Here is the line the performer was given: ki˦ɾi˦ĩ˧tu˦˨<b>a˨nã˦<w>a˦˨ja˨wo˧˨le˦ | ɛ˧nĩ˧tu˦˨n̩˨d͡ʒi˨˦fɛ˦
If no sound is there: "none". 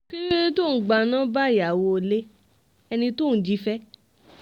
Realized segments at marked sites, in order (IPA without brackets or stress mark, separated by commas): ɡ͡b, b